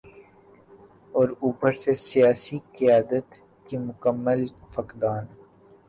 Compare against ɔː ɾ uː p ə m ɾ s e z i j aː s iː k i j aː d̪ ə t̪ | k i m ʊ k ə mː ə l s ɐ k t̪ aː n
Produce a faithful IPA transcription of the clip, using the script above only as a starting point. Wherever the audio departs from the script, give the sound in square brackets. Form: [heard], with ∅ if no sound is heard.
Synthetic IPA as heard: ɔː ɾ uː p ə [∅] ɾ s e [s] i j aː s [i] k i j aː d̪ ə t̪ | k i m ʊ k ə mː ə l [f] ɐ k [d̪] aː n